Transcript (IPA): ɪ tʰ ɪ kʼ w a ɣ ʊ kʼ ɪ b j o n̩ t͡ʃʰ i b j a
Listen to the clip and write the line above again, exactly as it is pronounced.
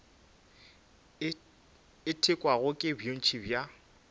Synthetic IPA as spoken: ɪ tʰ ɪ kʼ w a ɣ ʊ kʼ ɪ b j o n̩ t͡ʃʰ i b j a